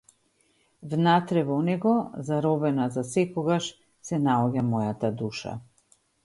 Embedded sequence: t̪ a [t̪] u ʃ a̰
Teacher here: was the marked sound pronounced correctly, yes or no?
no